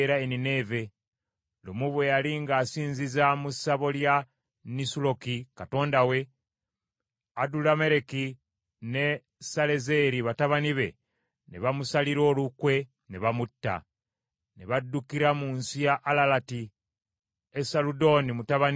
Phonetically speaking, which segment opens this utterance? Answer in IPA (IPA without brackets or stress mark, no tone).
ɾ